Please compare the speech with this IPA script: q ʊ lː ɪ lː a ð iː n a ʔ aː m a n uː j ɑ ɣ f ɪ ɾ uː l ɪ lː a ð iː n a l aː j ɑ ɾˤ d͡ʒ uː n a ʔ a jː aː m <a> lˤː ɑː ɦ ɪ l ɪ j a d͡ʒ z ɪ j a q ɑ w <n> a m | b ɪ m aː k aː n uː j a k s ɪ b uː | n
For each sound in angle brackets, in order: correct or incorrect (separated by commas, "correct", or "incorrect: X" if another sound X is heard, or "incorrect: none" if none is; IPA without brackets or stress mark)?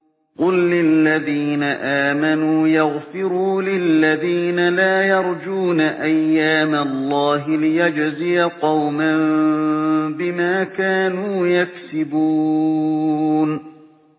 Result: correct, incorrect: m